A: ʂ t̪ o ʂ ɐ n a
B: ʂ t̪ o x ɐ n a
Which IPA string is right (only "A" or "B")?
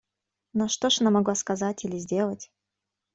A